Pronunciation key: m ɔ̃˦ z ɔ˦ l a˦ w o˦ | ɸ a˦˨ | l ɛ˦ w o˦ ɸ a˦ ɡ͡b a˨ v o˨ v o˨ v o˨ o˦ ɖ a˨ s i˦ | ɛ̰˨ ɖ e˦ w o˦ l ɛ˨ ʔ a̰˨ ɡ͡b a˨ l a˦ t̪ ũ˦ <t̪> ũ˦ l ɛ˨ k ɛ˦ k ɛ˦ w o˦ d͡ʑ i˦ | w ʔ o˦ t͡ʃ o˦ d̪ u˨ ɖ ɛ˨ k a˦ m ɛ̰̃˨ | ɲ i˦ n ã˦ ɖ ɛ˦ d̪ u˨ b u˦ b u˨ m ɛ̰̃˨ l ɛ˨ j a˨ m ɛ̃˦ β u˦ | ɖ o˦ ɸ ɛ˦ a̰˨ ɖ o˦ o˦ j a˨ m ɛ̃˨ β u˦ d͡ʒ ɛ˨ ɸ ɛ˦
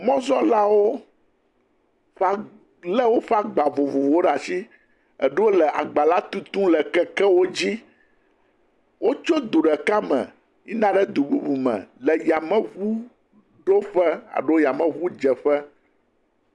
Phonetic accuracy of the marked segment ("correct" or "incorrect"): correct